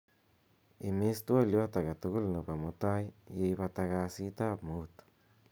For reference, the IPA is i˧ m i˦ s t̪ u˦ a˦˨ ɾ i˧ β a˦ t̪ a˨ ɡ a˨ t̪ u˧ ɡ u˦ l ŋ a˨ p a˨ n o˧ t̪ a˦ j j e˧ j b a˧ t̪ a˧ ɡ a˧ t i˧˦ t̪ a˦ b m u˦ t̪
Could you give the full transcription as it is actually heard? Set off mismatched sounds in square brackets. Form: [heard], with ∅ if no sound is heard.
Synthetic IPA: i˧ m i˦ s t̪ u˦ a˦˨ [l] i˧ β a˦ t̪ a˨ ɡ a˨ t̪ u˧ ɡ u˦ l [n] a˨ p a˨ [m] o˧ t̪ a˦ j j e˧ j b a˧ t̪ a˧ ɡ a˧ [s] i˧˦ t̪ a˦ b m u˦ t̪